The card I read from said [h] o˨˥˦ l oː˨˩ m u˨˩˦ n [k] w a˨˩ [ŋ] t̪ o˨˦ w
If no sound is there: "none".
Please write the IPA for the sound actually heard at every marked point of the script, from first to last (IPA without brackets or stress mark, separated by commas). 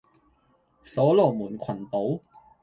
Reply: s, kʰ, n